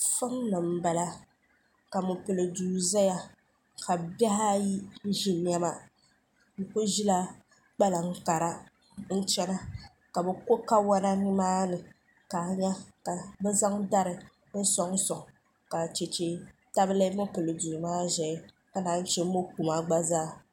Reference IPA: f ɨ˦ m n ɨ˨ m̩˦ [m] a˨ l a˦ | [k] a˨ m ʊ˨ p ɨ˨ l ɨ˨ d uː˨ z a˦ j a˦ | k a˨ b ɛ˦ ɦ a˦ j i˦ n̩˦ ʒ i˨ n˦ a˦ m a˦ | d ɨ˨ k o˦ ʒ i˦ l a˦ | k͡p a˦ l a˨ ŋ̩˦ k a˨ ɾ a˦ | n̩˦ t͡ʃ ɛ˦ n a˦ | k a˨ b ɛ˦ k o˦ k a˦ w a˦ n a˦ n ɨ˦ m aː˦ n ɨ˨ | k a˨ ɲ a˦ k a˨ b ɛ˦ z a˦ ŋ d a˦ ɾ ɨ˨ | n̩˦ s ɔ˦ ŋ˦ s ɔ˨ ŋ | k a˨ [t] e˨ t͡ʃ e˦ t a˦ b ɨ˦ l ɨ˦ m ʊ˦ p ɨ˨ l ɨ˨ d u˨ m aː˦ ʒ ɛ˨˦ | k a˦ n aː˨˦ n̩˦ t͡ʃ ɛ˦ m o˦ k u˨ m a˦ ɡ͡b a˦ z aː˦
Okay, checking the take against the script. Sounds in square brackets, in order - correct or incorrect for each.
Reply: incorrect: b, correct, incorrect: t͡ʃ

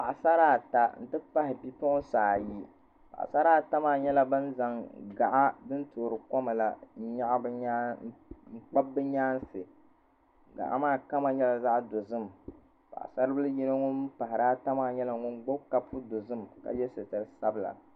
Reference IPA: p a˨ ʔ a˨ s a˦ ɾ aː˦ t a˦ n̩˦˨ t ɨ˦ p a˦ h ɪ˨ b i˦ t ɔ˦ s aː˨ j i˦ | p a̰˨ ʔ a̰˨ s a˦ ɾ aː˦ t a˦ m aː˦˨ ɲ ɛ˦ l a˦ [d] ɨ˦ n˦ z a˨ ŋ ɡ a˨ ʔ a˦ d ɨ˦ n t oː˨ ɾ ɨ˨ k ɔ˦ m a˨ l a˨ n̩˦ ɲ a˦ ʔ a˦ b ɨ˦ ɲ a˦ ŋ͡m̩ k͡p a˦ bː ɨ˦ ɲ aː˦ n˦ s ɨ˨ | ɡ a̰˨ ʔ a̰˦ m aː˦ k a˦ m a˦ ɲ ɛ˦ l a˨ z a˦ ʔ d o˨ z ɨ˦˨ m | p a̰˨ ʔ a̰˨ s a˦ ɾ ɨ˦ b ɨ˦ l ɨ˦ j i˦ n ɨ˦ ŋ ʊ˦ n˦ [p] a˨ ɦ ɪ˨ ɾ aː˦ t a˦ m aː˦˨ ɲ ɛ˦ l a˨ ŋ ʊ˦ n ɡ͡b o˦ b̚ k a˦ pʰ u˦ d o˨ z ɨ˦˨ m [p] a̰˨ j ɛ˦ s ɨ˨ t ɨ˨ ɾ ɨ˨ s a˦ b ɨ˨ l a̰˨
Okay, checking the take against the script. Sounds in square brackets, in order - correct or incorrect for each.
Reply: incorrect: b, correct, incorrect: k

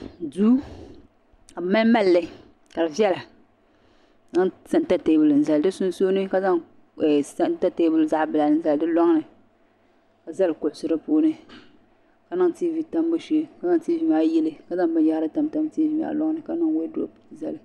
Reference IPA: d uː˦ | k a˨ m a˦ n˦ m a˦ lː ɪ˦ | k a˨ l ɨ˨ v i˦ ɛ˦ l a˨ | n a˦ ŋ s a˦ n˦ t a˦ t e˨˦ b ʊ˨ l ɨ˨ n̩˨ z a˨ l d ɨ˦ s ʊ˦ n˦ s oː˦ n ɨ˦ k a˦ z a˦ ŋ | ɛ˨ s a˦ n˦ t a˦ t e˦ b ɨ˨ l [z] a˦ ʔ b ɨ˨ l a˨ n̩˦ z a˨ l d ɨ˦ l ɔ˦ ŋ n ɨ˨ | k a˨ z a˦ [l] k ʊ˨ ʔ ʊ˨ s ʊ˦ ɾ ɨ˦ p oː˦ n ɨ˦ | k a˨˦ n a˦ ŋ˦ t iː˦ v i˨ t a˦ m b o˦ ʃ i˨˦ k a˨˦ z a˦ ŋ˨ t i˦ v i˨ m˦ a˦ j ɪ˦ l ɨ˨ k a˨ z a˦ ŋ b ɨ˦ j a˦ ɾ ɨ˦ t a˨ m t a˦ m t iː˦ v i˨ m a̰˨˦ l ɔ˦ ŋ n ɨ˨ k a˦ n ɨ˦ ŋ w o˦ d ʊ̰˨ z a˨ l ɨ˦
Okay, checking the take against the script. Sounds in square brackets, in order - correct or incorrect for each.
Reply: correct, correct

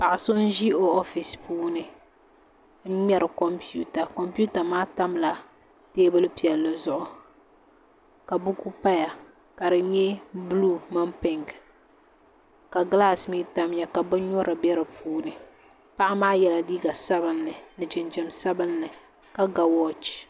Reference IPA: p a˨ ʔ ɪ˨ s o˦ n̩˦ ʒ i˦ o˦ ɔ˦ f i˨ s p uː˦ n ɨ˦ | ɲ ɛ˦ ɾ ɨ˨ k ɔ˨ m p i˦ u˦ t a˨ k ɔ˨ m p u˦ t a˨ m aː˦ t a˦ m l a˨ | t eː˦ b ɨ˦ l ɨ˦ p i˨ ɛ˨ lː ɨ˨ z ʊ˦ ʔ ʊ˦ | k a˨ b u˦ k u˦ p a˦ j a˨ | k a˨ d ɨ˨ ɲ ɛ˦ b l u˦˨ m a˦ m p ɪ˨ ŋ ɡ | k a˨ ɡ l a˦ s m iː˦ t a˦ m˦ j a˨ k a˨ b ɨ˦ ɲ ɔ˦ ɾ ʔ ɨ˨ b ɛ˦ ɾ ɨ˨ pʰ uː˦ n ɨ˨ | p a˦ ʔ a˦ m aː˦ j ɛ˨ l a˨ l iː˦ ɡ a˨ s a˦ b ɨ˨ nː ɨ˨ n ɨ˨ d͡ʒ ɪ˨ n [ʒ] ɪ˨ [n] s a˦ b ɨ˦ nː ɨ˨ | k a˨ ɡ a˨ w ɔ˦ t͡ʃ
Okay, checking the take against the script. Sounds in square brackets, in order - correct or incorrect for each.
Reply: incorrect: d͡ʒ, incorrect: m

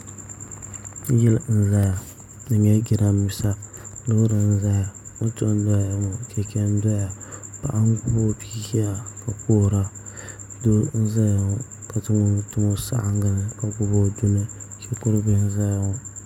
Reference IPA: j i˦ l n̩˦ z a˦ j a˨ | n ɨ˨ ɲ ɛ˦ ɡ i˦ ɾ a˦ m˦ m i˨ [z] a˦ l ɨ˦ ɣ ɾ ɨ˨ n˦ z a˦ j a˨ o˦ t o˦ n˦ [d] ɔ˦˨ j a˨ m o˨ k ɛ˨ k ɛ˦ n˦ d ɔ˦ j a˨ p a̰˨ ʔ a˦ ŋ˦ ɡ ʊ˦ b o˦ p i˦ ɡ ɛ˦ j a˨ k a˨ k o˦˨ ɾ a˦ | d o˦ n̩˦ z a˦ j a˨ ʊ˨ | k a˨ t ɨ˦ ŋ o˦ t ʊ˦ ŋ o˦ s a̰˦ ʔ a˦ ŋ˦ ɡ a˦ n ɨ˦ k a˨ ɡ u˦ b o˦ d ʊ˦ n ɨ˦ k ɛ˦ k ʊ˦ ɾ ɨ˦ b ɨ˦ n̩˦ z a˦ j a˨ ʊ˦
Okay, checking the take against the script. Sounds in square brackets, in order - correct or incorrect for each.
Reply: incorrect: s, correct

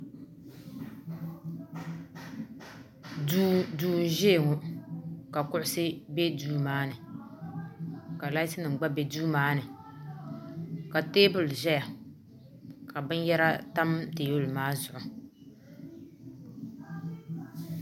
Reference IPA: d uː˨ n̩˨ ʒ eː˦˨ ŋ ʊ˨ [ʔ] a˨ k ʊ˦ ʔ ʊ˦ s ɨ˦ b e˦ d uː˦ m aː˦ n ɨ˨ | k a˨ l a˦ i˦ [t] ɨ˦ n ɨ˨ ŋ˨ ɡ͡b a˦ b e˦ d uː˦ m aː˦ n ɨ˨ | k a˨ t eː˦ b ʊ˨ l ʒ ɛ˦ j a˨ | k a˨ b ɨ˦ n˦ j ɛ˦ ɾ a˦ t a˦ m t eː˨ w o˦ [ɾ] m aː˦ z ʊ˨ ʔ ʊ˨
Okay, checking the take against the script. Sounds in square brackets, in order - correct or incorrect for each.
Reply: incorrect: k, incorrect: s, incorrect: l

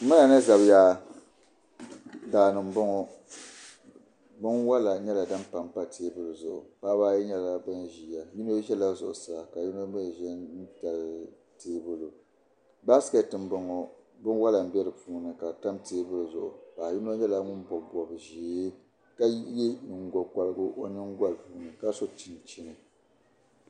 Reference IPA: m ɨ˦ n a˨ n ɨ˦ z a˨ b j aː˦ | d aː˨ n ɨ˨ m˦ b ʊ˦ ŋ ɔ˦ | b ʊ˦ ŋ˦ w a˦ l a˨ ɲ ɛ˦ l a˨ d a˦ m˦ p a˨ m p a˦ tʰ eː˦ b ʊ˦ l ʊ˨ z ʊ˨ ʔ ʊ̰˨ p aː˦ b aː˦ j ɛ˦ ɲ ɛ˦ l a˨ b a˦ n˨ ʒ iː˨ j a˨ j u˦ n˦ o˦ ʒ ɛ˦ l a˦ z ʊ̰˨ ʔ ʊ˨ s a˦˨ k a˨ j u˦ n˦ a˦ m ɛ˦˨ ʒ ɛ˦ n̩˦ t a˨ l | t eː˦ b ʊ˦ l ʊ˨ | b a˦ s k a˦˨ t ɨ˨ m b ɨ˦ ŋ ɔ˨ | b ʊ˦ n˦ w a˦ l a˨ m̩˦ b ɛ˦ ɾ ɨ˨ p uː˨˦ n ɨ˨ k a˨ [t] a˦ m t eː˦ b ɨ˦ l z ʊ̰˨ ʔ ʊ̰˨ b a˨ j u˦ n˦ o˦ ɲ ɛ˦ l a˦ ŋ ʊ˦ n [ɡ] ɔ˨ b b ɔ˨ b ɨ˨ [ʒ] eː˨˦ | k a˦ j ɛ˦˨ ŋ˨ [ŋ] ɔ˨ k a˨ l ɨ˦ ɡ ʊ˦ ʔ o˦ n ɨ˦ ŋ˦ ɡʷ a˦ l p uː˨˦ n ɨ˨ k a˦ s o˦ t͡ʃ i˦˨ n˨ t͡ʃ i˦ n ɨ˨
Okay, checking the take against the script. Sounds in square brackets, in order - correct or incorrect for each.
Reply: correct, incorrect: b, correct, incorrect: ɡ

